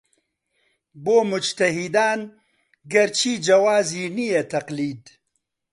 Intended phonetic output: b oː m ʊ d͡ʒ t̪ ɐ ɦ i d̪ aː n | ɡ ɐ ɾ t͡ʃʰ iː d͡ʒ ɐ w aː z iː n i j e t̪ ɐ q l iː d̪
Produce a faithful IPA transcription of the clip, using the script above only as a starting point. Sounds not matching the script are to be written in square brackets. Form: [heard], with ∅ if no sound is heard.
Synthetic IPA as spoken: b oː m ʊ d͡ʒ t̪ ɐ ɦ i d̪ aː n | ɡ ɐ ɾ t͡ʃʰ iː d͡ʒ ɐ w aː z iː n i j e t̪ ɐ q l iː d̪